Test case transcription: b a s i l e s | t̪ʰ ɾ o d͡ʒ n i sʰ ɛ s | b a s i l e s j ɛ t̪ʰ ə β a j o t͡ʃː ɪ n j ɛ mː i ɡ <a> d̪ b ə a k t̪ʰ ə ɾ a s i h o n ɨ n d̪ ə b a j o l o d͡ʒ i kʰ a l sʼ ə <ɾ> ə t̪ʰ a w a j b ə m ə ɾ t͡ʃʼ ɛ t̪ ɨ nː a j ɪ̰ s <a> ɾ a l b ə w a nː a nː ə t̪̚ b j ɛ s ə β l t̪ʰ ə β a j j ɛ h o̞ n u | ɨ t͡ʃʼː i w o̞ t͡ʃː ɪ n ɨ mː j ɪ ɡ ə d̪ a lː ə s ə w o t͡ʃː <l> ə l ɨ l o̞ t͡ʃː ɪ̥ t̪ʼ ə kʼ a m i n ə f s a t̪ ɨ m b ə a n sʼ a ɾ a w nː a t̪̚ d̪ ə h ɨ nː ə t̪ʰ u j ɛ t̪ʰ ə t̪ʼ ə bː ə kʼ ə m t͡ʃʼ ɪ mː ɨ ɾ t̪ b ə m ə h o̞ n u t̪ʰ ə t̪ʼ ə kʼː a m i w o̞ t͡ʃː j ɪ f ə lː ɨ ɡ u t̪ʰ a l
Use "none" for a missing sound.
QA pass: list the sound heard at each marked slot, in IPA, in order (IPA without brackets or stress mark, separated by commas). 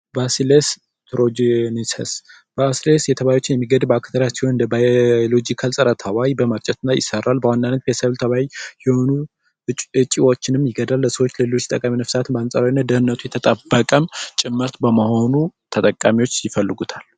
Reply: ə, ɾ, ə, l